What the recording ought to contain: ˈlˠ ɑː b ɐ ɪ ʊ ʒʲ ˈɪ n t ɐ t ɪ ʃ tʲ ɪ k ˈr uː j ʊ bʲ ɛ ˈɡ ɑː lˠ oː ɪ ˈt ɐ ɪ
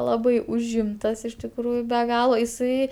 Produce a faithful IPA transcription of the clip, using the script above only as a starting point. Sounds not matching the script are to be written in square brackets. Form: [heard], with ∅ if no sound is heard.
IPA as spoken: ˈlˠ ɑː b ɐ ɪ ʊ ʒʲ ˈɪ [m] t ɐ [s] ɪ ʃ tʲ ɪ k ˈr uː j ʊ bʲ ɛ ˈɡ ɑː lˠ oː ɪ [ˈs] ɐ ɪ